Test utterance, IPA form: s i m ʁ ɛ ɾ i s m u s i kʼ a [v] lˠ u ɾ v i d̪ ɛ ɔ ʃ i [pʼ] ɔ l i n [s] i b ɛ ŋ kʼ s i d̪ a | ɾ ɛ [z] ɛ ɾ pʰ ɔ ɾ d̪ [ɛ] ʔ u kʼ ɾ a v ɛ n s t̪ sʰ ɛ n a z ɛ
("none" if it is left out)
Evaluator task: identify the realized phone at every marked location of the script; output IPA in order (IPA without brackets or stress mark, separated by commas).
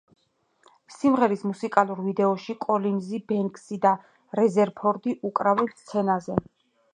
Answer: none, kʼ, z, z, i